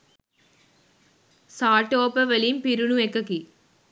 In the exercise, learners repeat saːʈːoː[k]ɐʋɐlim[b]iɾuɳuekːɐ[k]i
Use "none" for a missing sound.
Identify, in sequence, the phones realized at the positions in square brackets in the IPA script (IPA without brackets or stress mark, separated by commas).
p, p, k